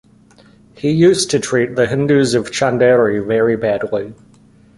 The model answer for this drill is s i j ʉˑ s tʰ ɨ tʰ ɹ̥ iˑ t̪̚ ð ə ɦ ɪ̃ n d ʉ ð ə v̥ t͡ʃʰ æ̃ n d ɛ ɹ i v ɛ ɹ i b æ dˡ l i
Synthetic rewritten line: h i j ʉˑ s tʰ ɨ tʰ ɹ̥ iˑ t̪̚ ð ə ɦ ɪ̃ n d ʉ z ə v̥ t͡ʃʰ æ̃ n d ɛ ɹ i v ɛ ɹ i b æ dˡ l i